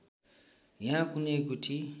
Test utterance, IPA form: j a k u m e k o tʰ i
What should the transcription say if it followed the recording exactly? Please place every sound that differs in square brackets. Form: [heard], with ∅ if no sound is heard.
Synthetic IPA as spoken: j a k u [n] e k [u] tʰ i

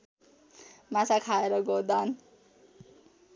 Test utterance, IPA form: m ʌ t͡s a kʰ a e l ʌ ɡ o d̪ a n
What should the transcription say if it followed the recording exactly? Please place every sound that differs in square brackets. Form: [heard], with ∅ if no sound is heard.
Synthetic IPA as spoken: m [a] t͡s a kʰ a e [ɾ] ʌ ɡ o d̪ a n

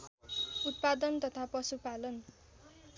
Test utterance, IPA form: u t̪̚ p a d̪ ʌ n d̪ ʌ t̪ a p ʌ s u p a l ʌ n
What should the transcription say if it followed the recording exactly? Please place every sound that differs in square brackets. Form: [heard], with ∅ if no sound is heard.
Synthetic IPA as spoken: u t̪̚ p a d̪ ʌ n [t̪] ʌ [t̪ʰ] a p ʌ s u p a l ʌ n

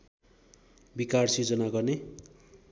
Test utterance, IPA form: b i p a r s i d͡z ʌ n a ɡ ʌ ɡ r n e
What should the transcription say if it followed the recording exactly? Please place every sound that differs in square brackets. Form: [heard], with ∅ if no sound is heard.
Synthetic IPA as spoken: b i [k] a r s i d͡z ʌ n a ɡ ʌ [∅] r n e

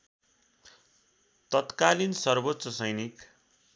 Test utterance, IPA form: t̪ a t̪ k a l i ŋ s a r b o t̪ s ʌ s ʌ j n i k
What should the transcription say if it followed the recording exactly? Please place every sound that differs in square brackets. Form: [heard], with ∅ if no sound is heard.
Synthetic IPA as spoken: t̪ [ʌ] t̪ k a l i [n] s [ʌ] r b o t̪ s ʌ s ʌ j n i k

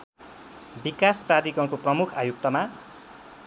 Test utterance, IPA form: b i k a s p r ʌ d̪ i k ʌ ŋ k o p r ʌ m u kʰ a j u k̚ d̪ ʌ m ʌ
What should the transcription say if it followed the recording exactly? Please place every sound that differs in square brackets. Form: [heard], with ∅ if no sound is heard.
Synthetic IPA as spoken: b i k a s p r [a] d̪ i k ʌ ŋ k o p r ʌ m u kʰ a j u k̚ [t̪] ʌ m [a]

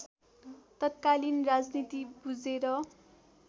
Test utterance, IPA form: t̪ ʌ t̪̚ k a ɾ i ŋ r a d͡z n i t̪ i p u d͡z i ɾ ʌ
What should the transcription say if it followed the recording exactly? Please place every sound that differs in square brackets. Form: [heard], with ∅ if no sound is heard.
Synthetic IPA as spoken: t̪ ʌ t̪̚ k a [l] i [n] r a d͡z n i t̪ i [b] u d͡z [e] ɾ ʌ

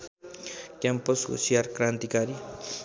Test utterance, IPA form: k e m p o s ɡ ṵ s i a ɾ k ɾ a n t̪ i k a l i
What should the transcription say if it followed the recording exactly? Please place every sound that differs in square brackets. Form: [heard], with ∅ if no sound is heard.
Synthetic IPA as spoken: k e m p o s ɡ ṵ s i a ɾ k ɾ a n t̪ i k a [ɾ] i

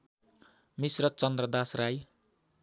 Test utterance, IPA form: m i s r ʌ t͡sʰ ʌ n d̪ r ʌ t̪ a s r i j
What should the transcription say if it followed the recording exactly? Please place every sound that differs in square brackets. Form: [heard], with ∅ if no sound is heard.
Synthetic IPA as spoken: m i s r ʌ [t͡s] ʌ n d̪ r ʌ [d̪] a s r [a] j

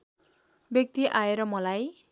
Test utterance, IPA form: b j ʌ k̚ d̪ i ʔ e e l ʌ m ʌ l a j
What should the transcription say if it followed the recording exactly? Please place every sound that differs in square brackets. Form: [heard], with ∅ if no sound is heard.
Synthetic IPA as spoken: b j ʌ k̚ [t̪] i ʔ [a] e [ɾ] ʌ m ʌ l a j

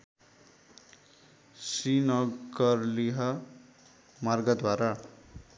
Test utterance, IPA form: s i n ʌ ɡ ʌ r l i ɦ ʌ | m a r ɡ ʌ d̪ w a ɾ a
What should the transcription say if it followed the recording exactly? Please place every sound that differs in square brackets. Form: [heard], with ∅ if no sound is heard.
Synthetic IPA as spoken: s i n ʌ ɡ ʌ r l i ɦ ʌ | m a r ɡ ʌ d̪ w a ɾ a

